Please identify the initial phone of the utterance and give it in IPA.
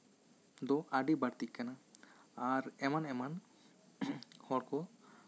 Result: d̪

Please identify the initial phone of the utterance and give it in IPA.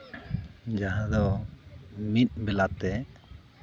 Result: d͡ʒ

